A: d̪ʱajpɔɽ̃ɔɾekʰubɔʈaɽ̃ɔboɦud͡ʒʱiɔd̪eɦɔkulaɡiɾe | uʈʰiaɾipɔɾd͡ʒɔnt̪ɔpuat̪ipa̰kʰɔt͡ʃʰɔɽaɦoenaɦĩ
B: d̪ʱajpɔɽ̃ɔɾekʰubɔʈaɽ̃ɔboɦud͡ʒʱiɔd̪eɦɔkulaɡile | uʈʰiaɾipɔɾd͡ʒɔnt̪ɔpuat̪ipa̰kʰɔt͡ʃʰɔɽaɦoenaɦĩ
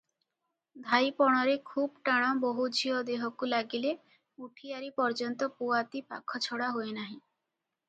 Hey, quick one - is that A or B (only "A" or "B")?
B